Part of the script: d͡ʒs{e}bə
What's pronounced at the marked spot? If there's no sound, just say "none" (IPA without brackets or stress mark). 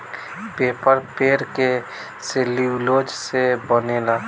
e